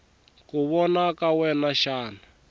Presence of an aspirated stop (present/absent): absent